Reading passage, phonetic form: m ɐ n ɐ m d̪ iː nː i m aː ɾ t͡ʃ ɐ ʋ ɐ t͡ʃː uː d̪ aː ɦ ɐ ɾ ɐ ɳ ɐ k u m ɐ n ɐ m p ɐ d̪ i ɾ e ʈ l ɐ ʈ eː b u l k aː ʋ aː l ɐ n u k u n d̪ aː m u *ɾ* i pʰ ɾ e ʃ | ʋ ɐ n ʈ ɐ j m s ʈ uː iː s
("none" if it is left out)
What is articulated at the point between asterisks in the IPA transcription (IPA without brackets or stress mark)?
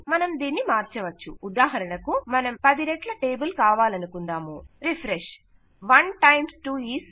ɾ